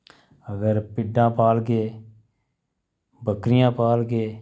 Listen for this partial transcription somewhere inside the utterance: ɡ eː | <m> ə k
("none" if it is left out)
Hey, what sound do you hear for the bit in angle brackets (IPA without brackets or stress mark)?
b